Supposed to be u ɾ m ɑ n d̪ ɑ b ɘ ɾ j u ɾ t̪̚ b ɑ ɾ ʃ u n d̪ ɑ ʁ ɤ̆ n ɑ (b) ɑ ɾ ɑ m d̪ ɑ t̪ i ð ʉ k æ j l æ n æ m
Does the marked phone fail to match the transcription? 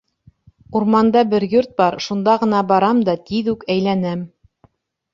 no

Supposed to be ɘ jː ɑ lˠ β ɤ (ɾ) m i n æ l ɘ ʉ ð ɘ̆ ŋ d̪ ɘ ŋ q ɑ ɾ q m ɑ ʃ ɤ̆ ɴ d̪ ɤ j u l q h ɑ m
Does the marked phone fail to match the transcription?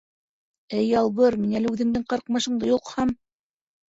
no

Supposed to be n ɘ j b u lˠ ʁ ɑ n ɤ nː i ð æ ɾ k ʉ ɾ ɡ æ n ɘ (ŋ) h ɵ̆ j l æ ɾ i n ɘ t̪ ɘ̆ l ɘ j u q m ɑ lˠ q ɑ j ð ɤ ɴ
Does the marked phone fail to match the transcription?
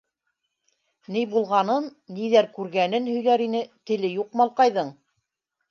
yes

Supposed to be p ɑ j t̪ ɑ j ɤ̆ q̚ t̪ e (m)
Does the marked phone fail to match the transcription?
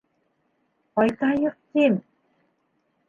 no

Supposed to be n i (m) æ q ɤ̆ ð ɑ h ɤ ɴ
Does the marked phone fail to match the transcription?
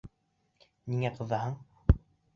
yes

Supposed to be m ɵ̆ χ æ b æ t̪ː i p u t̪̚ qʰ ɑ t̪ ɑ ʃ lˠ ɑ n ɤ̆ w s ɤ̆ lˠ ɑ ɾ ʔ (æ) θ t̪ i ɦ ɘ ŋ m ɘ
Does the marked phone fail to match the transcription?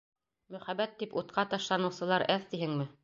no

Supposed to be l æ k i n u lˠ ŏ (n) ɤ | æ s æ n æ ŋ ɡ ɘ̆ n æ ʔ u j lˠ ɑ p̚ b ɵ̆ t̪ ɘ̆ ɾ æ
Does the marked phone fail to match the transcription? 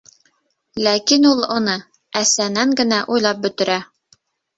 no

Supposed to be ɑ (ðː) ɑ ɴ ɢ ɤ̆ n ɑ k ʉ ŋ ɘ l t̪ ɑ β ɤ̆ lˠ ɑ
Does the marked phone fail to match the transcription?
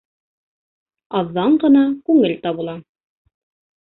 no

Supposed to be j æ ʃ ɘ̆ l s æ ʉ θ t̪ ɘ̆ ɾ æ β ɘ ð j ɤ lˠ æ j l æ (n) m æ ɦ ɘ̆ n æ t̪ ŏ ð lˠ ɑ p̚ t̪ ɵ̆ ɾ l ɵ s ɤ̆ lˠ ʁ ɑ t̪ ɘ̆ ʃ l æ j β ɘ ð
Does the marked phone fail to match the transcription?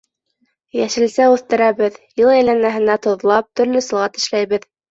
no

